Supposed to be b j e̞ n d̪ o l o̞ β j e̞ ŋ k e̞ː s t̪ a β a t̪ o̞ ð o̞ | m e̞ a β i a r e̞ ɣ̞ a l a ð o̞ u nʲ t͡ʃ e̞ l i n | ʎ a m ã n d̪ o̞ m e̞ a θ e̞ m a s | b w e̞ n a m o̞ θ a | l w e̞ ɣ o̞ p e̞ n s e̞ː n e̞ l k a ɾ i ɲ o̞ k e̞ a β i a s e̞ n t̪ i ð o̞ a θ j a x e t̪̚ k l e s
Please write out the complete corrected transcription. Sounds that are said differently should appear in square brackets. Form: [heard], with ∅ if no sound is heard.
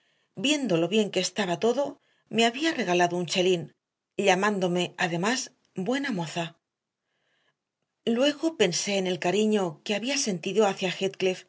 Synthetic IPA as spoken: b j e̞ n d̪ o l o̞ β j e̞ ŋ k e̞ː s t̪ a β a t̪ o̞ ð o̞ | m e̞ a β i a r e̞ ɣ̞ a l a ð o̞ u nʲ t͡ʃ e̞ l i n | ʎ a m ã n d̪ o̞ m e̞ a [ð] e̞ m a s | b w e̞ n a m o̞ θ a | l w e̞ ɣ o̞ p e̞ n s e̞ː n e̞ l k a ɾ i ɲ o̞ k e̞ a β i a s e̞ n t̪ i ð o̞ a θ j a x e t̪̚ k l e [f]